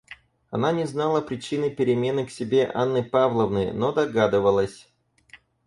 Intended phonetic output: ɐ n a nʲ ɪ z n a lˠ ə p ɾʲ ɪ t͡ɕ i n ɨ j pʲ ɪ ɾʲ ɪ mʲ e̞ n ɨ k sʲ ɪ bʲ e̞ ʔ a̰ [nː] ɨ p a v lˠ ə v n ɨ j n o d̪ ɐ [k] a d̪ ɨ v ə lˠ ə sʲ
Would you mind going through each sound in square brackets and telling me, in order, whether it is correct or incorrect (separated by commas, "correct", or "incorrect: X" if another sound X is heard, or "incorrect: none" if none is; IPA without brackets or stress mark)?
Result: correct, incorrect: ɡ